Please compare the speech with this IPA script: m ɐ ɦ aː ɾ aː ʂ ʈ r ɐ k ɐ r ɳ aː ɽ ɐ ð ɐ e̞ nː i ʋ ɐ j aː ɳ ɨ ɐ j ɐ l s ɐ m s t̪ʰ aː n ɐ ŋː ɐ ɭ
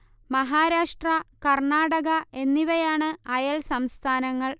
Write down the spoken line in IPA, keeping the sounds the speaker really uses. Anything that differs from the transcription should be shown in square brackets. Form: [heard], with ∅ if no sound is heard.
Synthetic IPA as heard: m ɐ ɦ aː ɾ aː ʂ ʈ r ɐ k ɐ r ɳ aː ɽ ɐ [ɣ] ɐ e̞ nː i ʋ ɐ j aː ɳ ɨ ɐ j ɐ l s ɐ m s t̪ʰ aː n ɐ ŋː ɐ ɭ